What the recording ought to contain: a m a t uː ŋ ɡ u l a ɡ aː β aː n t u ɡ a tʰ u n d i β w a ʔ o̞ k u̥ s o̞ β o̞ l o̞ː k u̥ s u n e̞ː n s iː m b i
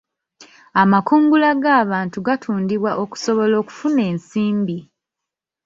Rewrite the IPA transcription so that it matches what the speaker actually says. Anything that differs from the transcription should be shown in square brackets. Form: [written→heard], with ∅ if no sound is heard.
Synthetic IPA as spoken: a m a [t→k] uː ŋ ɡ u l a ɡ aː β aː n t u ɡ a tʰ [u→uː] n d i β w a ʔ o̞ k u̥ s o̞ β o̞ l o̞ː k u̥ [s→f] u n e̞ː n s iː m b i